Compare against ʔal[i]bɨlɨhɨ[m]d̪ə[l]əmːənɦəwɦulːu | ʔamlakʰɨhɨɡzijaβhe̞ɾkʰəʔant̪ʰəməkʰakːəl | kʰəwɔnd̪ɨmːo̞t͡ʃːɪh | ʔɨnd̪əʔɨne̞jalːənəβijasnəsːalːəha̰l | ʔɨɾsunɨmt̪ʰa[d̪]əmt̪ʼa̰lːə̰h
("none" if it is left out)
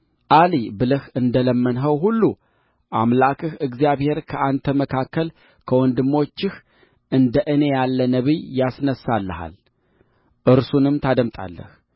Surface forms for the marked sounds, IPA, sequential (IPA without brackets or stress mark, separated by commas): i, n, l, d̪